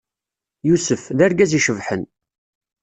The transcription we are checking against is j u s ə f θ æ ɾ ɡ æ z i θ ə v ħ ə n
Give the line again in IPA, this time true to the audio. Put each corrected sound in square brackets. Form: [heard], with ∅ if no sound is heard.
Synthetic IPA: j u s ə f [ð] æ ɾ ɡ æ z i [ʃ] ə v ħ ə n